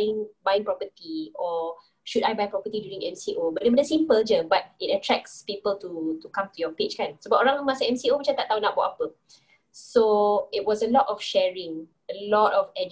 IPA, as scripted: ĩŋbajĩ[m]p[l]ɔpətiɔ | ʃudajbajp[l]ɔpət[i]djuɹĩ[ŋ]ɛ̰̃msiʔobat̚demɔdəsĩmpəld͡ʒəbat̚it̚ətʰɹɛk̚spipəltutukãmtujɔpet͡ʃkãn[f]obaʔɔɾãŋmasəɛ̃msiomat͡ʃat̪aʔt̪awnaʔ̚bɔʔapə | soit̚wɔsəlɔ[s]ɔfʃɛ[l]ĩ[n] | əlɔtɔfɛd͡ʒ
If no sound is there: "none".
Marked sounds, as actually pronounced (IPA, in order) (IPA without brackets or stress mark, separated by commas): ŋ, ɹ, ɹ, i, ŋ, s, t, ɹ, ŋ